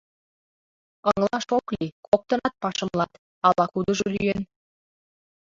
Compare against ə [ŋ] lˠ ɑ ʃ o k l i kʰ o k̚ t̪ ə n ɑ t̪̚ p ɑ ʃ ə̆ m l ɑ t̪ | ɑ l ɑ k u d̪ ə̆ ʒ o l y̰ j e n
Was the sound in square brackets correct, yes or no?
yes